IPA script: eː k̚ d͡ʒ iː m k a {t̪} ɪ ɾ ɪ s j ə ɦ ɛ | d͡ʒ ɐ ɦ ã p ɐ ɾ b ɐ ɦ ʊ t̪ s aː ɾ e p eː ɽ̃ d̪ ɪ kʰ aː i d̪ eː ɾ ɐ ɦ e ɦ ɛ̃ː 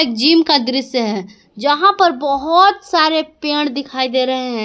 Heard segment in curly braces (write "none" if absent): d̪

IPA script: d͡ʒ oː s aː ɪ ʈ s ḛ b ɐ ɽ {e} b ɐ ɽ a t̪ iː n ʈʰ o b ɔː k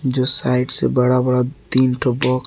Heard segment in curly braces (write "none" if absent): a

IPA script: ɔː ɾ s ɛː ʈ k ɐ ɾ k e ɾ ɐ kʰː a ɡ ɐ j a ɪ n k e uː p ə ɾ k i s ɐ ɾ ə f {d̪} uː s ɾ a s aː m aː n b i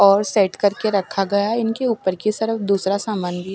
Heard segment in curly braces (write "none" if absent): d̪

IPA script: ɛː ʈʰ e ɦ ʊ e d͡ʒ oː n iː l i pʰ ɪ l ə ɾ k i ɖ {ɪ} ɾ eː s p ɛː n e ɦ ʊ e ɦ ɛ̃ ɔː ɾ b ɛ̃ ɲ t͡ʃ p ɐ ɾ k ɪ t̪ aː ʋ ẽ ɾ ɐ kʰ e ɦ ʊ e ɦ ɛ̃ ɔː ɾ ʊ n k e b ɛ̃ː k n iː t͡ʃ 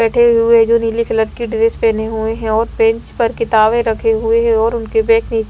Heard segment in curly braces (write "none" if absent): ɪ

